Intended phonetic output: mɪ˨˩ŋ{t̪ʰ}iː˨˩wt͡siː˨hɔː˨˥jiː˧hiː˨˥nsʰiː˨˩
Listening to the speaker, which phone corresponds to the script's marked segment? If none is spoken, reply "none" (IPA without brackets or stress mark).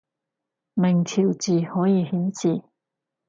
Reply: t̪ʰ